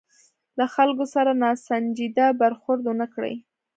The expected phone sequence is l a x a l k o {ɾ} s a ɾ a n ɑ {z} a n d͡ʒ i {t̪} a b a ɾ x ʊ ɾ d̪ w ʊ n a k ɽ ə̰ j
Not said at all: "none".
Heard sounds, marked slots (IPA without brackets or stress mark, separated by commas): none, s, d̪